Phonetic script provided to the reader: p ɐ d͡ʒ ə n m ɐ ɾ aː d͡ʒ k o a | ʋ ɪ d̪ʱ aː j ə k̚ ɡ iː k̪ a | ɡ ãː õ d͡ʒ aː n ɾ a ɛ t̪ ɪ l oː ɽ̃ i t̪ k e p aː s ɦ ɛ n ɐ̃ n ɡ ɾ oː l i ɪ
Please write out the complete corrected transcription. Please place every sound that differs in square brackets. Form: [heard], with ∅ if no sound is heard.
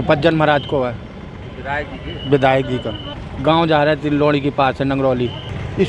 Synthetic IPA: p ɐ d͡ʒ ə n m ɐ ɾ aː d͡ʒ k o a | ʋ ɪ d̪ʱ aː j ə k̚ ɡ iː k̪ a | ɡ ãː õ d͡ʒ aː [∅] ɾ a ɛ t̪ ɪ l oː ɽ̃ i [∅] k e p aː s ɦ ɛ n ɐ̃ [ŋ] ɡ ɾ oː l i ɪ